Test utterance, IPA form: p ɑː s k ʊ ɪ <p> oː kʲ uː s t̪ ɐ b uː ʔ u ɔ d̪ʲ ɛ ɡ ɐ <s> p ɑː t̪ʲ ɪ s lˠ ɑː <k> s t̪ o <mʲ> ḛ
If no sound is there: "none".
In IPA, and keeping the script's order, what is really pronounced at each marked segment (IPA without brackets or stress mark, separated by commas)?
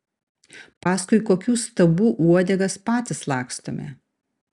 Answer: k, s, k, mʲ